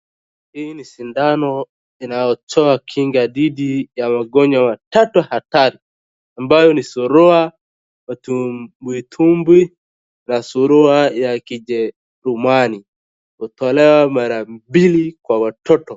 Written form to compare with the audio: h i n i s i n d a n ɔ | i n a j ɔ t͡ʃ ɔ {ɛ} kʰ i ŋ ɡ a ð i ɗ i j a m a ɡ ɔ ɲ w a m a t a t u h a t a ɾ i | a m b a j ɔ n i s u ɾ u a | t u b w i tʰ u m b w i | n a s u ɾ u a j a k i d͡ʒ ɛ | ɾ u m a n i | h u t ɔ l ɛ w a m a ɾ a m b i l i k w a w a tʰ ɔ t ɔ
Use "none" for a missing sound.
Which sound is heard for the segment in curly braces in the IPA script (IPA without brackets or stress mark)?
a